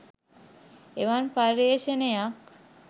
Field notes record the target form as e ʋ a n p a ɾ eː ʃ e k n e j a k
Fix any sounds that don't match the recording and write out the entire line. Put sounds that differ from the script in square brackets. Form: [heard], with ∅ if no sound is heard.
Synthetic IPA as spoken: e ʋ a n p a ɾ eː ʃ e [∅] n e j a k